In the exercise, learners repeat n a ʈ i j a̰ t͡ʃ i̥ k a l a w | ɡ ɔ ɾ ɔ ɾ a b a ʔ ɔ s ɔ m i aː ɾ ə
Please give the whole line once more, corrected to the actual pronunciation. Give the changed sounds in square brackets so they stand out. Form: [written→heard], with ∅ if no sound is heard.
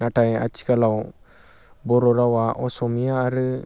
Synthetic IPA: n a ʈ [i→a] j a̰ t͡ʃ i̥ k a l a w | [ɡ→b] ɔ ɾ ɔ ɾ a [b→w] a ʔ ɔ s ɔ m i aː ɾ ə

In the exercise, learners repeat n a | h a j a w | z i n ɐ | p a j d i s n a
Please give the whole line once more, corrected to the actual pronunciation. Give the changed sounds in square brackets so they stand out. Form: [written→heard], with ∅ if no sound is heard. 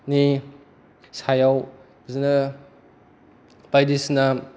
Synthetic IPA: n [a→i] | [h→s] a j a w | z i n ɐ | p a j d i s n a

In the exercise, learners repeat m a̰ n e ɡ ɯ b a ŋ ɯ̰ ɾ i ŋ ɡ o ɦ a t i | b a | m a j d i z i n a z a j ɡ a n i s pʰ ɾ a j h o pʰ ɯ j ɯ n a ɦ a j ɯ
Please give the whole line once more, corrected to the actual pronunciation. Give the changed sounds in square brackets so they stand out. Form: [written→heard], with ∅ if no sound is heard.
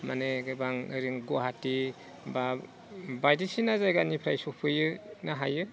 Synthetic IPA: m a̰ n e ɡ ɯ b a ŋ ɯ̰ ɾ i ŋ ɡ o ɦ a t i | b a | [m→b] a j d i [z→s] i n a z a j ɡ a n i [s→∅] pʰ ɾ a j [h→s] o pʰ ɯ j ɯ n a ɦ a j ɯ

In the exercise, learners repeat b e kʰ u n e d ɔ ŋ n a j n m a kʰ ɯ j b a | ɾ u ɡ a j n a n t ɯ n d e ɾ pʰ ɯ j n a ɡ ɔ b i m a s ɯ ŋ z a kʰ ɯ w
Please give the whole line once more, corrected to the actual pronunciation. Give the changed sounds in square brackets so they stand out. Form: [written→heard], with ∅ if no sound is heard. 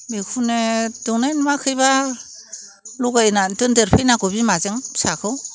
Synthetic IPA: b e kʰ u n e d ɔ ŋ n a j n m a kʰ ɯ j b a | [ɾ→l] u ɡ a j n a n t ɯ n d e ɾ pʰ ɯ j n a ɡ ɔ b i m a [s→z] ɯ ŋ [z→s] a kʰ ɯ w

